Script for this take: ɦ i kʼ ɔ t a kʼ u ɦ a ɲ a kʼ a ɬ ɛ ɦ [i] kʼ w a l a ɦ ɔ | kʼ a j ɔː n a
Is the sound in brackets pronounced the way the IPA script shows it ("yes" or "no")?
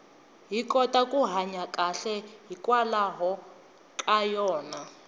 yes